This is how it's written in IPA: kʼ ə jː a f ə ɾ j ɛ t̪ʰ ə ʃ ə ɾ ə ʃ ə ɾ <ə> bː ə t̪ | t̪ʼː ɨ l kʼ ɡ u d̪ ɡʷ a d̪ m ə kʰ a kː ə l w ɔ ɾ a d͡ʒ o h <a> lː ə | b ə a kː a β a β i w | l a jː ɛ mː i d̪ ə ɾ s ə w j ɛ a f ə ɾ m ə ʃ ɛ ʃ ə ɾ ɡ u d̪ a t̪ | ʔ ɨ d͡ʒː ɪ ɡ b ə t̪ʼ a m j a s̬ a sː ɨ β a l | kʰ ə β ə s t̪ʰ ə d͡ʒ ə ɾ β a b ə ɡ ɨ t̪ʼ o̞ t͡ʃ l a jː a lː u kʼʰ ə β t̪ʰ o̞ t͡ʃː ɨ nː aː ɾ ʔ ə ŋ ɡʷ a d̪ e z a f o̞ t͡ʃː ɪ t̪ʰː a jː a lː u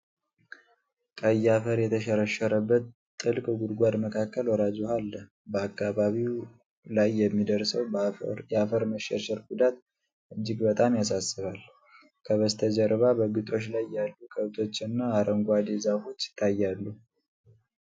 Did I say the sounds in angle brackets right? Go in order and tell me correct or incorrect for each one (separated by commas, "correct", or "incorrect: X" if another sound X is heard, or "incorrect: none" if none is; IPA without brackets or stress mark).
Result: correct, correct